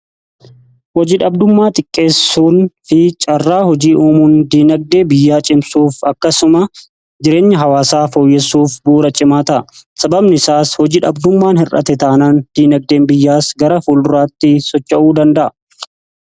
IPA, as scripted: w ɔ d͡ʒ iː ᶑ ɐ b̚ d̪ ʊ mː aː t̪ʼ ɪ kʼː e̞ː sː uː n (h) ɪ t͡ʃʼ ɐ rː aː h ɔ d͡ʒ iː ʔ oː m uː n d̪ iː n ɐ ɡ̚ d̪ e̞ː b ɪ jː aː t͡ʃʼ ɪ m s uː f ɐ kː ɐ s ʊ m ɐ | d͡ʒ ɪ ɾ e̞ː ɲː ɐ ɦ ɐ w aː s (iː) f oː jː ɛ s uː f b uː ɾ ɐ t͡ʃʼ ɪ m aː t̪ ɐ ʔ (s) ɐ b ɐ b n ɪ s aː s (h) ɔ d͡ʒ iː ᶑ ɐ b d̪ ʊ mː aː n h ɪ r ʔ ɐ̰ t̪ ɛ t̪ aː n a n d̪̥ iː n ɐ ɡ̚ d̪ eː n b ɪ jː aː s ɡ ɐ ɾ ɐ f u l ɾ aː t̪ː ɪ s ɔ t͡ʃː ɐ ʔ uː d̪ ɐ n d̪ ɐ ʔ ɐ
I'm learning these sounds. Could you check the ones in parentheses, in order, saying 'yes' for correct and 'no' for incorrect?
no, no, yes, yes

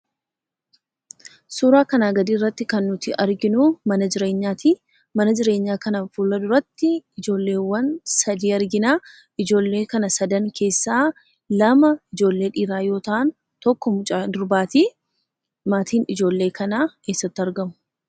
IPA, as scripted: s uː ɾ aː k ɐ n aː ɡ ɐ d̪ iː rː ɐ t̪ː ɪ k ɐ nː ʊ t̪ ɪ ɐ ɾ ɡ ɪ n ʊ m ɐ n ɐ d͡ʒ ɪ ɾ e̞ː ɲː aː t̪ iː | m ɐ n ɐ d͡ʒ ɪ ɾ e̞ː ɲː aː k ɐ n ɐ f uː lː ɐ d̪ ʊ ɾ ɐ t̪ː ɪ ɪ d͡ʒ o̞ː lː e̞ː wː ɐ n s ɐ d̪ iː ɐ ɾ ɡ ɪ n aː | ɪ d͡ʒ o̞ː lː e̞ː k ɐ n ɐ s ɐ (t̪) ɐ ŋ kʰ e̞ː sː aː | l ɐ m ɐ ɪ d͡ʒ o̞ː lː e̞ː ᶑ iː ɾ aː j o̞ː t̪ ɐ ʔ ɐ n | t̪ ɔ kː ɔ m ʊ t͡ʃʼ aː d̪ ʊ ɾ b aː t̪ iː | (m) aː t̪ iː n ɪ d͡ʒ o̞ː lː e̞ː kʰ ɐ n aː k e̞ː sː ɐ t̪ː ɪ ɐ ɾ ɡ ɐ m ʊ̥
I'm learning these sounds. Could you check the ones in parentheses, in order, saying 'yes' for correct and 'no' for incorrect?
no, yes

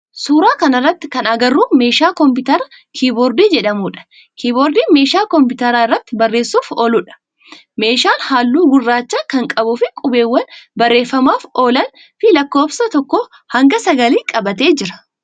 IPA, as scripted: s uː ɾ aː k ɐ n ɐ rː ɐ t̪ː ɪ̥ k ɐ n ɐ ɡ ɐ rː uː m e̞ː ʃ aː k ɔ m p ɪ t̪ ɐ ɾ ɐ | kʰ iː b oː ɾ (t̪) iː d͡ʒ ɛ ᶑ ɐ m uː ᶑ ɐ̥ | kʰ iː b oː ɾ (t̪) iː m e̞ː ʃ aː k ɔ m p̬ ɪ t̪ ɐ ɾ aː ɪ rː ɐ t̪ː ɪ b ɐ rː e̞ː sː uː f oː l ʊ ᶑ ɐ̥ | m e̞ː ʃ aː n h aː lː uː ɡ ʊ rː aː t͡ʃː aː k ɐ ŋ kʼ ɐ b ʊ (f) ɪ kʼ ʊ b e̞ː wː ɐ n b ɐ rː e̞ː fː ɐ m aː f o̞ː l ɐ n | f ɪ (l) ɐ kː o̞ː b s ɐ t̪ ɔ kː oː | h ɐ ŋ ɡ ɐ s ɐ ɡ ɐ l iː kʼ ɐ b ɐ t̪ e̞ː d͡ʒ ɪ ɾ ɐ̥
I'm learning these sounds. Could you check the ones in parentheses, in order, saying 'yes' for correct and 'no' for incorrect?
no, no, yes, yes

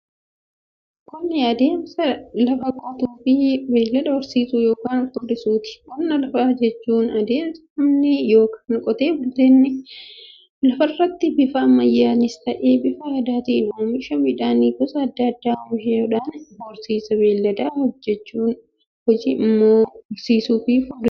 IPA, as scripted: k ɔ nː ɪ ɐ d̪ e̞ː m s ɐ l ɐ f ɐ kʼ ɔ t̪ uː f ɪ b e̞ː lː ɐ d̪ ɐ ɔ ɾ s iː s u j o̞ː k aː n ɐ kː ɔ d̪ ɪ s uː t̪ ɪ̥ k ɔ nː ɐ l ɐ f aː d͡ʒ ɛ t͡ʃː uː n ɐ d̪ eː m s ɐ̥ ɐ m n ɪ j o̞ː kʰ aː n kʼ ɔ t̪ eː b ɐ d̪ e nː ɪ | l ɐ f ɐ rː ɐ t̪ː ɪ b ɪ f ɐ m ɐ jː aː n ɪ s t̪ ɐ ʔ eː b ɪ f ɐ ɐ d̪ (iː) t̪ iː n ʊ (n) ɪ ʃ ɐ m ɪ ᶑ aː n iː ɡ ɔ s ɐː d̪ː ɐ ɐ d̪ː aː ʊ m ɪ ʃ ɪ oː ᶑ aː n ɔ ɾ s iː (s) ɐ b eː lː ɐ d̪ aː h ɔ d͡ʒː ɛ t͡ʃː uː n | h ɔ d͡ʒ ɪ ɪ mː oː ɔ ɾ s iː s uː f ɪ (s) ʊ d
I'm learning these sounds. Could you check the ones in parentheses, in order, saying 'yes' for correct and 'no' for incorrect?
no, no, yes, no

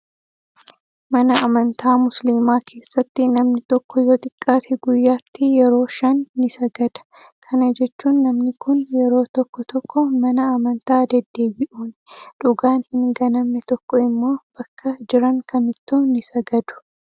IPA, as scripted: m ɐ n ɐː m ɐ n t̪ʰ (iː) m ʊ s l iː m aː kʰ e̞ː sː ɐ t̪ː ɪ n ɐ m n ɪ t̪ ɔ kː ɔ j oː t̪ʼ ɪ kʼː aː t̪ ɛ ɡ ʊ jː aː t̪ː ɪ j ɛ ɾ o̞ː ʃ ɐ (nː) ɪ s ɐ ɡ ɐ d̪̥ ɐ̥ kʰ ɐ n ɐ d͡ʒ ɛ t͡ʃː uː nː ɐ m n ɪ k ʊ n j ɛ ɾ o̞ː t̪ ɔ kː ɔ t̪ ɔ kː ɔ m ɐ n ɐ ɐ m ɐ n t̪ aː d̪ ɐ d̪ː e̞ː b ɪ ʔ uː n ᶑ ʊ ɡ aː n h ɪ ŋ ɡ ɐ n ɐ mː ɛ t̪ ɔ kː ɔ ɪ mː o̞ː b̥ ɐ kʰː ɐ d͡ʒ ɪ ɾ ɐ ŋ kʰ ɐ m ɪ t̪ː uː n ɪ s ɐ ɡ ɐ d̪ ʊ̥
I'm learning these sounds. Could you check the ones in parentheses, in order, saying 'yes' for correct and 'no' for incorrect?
no, yes

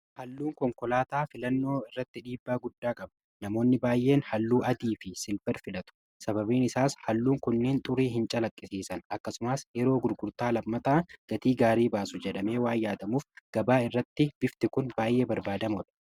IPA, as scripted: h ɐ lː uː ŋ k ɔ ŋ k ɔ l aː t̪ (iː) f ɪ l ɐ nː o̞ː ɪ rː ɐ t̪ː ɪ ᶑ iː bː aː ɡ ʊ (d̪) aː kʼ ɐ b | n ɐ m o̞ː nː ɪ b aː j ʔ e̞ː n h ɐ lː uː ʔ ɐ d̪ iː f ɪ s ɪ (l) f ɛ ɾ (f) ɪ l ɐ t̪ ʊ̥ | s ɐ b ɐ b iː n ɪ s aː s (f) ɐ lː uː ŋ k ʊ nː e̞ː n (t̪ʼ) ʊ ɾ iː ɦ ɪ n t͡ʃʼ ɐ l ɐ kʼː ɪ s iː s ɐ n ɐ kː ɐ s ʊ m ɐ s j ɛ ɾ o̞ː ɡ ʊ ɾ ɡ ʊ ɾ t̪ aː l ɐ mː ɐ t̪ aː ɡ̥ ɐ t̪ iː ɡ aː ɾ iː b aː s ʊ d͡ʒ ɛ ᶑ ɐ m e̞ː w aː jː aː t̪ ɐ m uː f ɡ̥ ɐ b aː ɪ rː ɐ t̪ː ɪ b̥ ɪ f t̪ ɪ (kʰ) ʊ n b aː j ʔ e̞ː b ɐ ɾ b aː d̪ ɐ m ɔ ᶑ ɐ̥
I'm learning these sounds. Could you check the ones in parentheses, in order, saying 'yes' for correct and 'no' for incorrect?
no, no, yes, yes, no, yes, no

